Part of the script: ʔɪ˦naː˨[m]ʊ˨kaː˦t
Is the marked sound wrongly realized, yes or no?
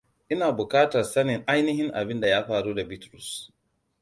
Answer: yes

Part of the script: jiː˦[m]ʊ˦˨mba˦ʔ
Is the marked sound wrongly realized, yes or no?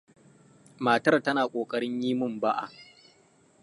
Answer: no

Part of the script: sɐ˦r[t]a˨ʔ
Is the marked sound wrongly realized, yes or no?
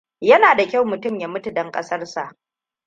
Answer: yes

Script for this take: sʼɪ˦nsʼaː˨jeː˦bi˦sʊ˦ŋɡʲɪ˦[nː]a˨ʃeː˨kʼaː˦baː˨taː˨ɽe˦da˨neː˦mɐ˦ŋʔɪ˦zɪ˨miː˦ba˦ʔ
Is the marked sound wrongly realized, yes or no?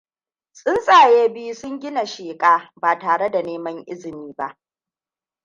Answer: yes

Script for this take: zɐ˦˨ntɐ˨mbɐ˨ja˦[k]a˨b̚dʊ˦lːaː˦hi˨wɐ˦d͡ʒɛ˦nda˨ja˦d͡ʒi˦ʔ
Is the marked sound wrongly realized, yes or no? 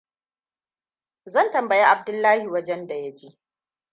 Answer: yes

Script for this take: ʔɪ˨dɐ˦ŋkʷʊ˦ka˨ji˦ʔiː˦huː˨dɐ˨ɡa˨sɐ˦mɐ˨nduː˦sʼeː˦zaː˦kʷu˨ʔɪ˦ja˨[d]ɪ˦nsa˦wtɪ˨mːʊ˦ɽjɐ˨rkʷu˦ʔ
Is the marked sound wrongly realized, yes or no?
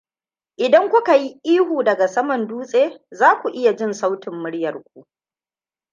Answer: yes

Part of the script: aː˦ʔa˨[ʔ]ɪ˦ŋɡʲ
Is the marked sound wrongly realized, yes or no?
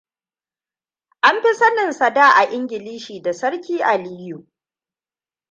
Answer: no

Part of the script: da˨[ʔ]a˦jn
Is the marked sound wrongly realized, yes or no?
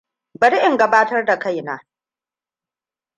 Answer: yes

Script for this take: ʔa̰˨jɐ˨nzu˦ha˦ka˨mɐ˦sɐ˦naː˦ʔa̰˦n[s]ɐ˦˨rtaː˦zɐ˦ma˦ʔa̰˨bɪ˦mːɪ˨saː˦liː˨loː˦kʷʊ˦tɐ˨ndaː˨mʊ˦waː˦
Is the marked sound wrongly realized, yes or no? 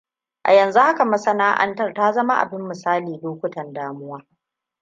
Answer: yes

